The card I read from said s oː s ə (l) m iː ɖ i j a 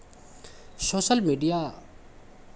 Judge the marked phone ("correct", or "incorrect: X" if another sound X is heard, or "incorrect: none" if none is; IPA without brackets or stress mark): correct